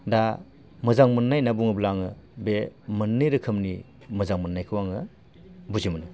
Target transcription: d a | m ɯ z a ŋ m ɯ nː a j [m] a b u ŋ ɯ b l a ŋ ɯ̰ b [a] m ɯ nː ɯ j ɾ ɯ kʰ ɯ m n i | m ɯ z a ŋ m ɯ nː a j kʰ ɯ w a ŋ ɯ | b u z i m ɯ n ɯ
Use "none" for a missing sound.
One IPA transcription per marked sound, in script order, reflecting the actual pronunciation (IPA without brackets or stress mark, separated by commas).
n, e